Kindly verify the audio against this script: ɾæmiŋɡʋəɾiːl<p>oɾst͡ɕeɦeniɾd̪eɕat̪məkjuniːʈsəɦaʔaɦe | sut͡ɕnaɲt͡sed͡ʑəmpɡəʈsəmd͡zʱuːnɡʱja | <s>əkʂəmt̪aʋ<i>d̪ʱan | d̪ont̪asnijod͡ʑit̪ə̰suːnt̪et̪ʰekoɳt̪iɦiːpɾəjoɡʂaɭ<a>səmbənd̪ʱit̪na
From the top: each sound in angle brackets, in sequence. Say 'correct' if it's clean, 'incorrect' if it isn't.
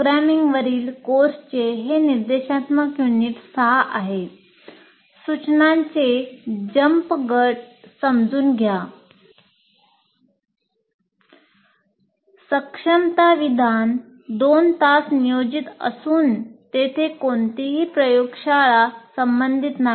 incorrect: k, correct, correct, correct

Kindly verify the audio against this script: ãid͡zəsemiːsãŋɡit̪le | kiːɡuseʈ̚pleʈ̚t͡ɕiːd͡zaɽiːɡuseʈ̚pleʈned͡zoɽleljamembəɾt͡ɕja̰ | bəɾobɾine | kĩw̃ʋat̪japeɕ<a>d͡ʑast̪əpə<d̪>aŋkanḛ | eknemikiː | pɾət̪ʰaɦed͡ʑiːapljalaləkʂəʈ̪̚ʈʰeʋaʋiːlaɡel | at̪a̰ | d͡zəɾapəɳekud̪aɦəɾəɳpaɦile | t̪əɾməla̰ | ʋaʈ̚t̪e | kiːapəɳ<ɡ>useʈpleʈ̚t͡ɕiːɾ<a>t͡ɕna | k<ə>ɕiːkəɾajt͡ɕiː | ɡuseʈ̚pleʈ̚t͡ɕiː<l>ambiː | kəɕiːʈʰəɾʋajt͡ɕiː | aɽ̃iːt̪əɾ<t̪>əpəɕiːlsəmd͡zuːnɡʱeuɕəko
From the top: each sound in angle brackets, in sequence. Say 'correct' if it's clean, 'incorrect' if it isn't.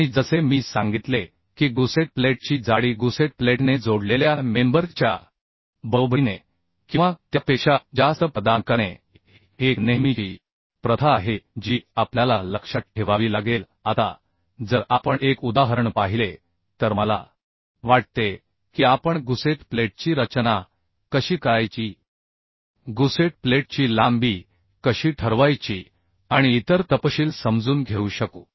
correct, correct, correct, incorrect: ə, correct, correct, correct

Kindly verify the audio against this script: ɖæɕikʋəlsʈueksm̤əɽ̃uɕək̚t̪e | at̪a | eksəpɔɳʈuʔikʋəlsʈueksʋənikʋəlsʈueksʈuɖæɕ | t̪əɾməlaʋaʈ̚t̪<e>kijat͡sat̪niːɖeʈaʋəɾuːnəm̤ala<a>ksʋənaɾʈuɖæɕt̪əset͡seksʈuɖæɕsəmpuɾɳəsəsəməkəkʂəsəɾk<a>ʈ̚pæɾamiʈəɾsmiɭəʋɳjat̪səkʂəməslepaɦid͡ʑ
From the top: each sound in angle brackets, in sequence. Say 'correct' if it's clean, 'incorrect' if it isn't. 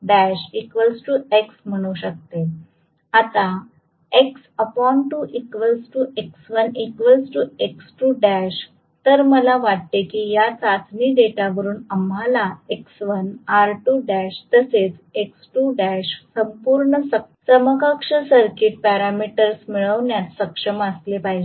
correct, incorrect: e, incorrect: i

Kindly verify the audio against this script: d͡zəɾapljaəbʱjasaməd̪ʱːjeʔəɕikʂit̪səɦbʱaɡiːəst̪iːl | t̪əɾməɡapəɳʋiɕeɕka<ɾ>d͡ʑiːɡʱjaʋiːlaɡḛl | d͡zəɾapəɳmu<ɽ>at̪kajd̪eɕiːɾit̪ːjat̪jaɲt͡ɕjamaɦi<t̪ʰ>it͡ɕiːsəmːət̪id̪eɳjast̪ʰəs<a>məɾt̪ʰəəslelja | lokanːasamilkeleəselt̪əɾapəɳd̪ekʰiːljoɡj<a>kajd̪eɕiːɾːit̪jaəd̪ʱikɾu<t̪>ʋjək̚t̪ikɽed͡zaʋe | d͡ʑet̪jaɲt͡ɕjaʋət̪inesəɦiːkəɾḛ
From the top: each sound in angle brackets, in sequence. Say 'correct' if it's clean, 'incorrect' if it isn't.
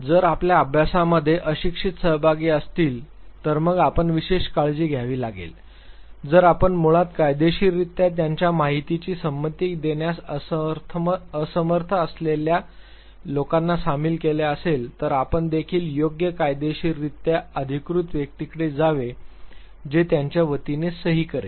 incorrect: ɭ, incorrect: ɭ, incorrect: t̪, incorrect: ə, incorrect: ə, correct

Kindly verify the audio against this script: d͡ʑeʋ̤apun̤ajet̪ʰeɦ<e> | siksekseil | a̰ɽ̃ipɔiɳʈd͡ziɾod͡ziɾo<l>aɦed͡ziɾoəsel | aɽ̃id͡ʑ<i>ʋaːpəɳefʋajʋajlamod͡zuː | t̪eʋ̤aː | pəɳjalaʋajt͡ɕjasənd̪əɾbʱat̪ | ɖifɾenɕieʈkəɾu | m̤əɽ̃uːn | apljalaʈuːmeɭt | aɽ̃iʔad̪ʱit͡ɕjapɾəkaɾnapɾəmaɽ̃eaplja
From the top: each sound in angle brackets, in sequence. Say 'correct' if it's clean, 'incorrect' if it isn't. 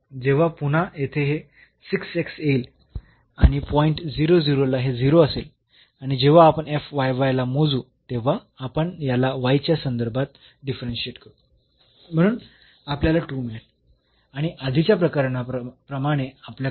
correct, correct, incorrect: e

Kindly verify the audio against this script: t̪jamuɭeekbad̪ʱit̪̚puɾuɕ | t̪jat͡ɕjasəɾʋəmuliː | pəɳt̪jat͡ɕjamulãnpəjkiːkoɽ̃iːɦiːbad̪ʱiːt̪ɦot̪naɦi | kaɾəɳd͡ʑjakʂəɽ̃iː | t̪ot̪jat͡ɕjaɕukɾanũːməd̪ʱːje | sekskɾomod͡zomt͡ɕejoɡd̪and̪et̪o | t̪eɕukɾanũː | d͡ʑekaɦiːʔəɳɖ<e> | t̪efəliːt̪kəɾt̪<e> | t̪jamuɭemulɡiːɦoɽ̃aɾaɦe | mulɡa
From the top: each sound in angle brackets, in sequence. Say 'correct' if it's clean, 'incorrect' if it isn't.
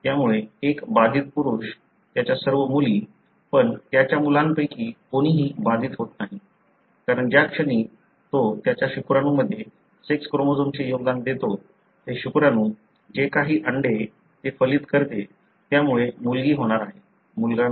correct, correct

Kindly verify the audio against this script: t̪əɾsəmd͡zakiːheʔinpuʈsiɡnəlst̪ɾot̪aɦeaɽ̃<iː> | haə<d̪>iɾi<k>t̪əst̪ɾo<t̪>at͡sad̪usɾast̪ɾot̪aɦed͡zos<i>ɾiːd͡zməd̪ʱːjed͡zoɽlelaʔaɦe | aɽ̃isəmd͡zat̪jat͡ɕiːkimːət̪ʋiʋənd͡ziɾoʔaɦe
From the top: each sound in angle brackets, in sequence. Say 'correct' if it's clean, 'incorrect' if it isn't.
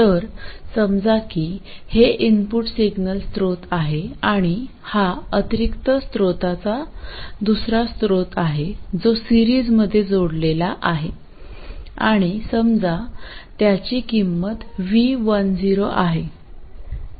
incorrect: i, incorrect: t̪, correct, correct, correct

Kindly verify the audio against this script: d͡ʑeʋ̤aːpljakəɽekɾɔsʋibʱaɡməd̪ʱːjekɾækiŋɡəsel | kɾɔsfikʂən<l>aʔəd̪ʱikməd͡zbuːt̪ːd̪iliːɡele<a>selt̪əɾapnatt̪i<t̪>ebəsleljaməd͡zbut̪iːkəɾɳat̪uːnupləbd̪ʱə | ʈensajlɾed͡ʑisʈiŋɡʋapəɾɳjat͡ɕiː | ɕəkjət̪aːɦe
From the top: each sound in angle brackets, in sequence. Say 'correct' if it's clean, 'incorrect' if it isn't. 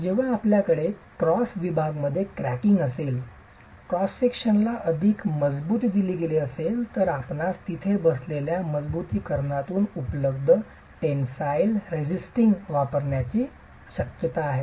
correct, incorrect: ə, incorrect: t̪ʰ

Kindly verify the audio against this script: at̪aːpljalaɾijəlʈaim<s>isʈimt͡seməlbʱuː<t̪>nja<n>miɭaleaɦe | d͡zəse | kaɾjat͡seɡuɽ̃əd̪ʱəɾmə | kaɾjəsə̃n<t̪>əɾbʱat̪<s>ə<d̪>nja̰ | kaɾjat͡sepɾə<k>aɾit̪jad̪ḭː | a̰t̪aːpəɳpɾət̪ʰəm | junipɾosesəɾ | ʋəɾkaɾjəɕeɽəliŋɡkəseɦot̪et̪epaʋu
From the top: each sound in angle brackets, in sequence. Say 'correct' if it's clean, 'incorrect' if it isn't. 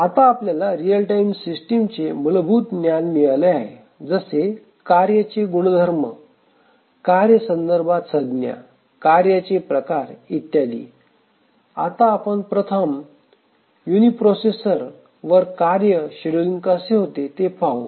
correct, correct, correct, incorrect: d̪, correct, correct, correct

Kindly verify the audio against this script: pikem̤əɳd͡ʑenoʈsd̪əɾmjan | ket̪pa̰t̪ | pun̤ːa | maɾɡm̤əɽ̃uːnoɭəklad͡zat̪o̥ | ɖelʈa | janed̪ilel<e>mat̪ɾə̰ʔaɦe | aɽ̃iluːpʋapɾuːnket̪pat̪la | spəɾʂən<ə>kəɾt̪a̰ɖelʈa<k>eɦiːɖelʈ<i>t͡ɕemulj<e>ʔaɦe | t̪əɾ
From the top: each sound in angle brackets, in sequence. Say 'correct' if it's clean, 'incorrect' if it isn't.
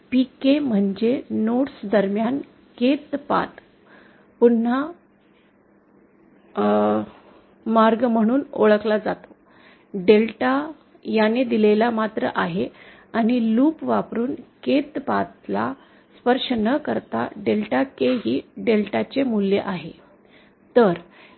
incorrect: a, correct, correct, incorrect: a, correct

